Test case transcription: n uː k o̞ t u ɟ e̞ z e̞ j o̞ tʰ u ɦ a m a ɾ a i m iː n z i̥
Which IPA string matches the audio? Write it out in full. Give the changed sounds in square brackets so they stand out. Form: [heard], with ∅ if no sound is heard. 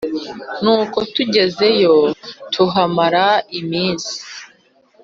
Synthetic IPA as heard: n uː k o̞ t u ɟ e̞ z e̞ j o̞ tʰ u ɦ a m a ɾ a i m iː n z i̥